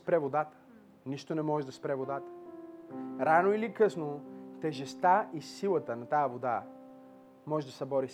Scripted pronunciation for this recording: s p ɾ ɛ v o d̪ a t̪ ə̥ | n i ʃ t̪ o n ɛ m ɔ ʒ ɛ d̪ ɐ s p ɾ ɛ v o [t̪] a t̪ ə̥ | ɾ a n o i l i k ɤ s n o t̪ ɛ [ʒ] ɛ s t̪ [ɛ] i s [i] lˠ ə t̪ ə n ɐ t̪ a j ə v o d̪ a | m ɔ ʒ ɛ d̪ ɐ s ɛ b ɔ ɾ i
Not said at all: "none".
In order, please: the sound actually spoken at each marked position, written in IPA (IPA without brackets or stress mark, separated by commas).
d̪, ʒ, a, i